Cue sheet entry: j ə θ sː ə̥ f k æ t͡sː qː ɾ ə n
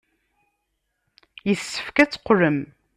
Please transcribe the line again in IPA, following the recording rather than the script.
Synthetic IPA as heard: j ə θ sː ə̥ f k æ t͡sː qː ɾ ə m